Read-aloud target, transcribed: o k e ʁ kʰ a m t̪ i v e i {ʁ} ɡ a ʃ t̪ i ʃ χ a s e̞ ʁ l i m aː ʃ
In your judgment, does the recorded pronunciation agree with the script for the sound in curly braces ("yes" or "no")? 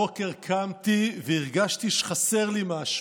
yes